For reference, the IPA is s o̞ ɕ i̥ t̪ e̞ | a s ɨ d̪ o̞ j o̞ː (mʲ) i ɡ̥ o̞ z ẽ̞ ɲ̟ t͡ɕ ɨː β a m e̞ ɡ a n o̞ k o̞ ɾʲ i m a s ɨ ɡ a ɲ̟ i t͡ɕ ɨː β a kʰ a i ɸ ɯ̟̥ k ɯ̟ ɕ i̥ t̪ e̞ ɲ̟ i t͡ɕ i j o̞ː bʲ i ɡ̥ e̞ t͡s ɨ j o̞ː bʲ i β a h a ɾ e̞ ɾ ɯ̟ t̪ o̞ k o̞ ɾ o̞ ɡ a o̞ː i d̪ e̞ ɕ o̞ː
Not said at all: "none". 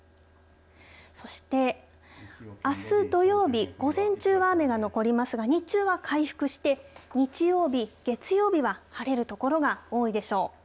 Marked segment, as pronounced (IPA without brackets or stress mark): bʲ